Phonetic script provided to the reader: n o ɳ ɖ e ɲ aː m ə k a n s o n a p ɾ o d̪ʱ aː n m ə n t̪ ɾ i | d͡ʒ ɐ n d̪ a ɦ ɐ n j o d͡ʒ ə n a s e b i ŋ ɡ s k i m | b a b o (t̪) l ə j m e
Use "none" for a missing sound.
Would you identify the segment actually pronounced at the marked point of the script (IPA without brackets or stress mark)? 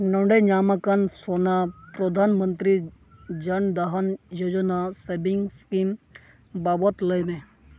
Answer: t̪